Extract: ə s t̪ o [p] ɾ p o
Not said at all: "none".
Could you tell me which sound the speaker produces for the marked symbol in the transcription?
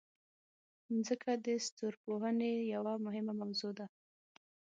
none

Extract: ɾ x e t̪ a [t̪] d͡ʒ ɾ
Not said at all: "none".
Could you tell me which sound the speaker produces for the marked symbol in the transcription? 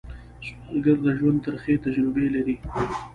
none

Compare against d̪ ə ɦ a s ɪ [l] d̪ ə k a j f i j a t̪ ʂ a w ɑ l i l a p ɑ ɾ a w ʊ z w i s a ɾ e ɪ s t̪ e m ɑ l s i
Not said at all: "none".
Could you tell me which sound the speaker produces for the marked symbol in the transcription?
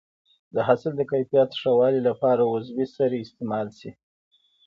l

